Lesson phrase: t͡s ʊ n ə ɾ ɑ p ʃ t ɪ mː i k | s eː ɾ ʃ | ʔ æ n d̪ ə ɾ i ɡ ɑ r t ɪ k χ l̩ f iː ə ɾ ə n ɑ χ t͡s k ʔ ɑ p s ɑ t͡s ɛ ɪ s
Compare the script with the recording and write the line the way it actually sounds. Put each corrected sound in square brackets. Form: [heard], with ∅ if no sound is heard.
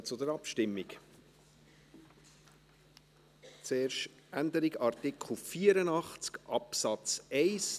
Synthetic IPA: t͡s ʊ [d] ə ɾ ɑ p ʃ t ɪ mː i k | [t͡s] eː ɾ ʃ | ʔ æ n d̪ ə ɾ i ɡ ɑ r t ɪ k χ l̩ f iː ə ɾ ə n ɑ χ t͡s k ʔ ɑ p s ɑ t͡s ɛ ɪ s

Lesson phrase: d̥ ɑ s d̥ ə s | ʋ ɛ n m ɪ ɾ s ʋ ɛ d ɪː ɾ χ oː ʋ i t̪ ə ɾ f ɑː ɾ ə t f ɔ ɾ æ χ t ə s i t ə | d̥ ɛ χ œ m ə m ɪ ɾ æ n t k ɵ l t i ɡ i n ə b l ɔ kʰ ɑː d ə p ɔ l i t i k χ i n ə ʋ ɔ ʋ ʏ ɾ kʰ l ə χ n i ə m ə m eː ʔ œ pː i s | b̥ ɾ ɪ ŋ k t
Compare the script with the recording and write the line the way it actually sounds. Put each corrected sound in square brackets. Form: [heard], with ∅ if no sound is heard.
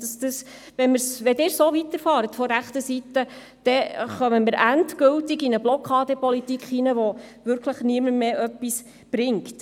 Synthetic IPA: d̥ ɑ s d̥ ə s | ʋ ɛ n m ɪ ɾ s ʋ ɛ d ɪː ɾ [s] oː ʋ i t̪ ə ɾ f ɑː ɾ ə t f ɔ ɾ æ χ t ə s i t ə | d̥ ɛ χ œ m ə m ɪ ɾ æ n t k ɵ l t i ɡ i n ə b l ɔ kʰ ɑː d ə p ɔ l i t i k χ i n ə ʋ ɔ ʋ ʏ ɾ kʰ l ə χ n i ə m ə m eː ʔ œ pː i s | b̥ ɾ ɪ ŋ k t

